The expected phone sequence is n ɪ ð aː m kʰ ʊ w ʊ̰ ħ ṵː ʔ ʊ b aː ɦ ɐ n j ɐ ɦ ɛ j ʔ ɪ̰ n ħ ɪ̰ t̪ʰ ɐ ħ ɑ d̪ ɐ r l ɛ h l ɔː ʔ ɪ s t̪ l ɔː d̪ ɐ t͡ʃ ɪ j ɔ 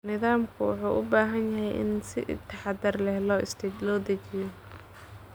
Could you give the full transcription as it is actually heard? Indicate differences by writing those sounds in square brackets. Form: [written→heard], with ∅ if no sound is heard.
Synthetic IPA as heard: n ɪ ð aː m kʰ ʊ w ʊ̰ ħ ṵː ʔ ʊ b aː ɦ ɐ n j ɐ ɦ ɛ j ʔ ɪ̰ n [ħ→s] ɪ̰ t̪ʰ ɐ ħ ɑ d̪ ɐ r l ɛ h l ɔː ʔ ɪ s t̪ l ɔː d̪ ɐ t͡ʃ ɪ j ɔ